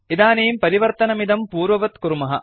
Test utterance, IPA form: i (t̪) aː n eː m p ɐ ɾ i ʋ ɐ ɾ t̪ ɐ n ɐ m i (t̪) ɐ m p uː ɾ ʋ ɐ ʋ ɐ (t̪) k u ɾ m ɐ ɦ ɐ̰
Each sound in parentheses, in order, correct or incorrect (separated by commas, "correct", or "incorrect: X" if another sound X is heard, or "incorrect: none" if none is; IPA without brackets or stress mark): incorrect: d̪, incorrect: d̪, correct